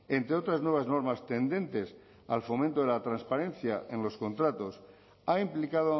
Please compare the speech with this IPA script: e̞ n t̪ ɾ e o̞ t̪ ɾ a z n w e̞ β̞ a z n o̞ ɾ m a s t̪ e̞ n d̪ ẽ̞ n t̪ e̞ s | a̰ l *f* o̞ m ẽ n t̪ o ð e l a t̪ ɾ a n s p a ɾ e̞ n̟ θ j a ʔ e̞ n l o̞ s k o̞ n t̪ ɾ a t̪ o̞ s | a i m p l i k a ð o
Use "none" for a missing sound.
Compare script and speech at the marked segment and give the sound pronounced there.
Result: f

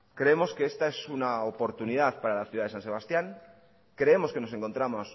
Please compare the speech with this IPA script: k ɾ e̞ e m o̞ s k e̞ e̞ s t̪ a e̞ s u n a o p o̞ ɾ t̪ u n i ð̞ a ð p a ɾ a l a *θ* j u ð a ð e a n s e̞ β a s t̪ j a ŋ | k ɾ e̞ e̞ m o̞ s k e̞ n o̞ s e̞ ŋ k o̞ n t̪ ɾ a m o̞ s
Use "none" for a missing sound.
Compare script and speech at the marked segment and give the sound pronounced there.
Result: θ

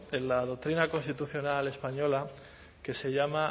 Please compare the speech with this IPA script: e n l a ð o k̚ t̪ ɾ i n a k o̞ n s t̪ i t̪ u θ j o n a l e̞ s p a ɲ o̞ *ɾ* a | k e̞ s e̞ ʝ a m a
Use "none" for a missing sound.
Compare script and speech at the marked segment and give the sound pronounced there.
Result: l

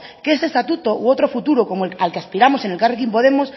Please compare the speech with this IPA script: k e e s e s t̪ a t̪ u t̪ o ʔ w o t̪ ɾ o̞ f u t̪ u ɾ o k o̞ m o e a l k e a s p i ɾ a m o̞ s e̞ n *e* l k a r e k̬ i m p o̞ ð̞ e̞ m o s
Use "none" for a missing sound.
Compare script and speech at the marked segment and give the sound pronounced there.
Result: e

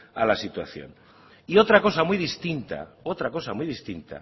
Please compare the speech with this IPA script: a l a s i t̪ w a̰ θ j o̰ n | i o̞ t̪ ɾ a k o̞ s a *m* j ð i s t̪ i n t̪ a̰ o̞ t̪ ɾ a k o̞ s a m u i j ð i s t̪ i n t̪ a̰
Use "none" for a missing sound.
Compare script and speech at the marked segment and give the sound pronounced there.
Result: m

